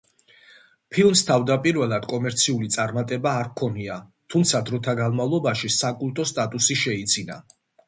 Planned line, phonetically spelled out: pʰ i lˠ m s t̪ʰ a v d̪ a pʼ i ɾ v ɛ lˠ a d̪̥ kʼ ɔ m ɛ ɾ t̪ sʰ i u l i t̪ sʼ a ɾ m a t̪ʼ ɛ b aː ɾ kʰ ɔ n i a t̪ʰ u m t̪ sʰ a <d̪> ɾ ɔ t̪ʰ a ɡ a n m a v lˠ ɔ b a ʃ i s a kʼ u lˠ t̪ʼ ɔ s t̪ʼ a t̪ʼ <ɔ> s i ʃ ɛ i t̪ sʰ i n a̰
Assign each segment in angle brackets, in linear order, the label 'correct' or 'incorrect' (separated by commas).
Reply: correct, incorrect